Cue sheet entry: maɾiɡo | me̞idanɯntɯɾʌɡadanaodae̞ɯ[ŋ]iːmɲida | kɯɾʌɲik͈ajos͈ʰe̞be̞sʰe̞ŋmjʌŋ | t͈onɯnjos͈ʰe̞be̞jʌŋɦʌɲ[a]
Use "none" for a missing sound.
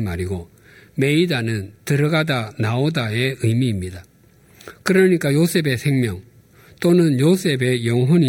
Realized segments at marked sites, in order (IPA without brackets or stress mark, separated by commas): m, i